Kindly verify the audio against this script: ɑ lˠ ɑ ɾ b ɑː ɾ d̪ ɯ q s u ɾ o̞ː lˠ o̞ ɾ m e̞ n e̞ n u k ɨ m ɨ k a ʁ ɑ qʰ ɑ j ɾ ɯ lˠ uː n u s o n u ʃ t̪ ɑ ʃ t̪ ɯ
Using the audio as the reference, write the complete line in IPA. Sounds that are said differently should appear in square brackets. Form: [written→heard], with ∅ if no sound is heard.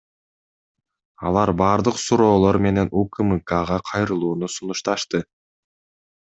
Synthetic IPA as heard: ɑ lˠ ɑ ɾ b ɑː ɾ d̪ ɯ q s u ɾ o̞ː lˠ o̞ ɾ m e̞ n e̞ n u k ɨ m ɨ k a ʁ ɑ qʰ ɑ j ɾ ɯ lˠ uː n u s [o→u] n u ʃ t̪ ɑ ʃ t̪ ɯ